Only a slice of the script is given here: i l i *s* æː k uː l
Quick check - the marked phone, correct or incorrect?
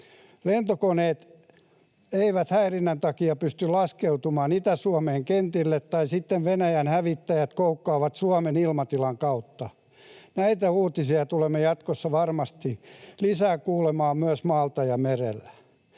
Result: correct